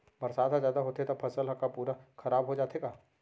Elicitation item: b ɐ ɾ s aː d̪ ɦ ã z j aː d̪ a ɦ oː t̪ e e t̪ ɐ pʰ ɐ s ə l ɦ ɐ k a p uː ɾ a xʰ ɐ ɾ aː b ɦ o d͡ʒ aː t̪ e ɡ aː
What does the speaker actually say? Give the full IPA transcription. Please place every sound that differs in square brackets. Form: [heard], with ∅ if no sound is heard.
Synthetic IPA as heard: b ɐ ɾ s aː d̪ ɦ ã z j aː d̪ a ɦ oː t̪ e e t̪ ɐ pʰ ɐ s ə l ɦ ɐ k a p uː ɾ a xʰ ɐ ɾ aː b ɦ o d͡ʒ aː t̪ e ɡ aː